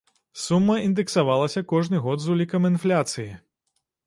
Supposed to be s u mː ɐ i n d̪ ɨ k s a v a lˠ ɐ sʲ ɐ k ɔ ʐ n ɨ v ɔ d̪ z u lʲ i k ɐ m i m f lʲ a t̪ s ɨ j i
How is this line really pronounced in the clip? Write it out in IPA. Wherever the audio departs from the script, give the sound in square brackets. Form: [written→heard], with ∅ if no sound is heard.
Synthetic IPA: s u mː ɐ i n d̪ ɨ k s a v a lˠ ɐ sʲ ɐ k ɔ ʐ n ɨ [v→ɣ] ɔ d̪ z u lʲ i k ɐ m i [m→n] f lʲ a t̪ s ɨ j i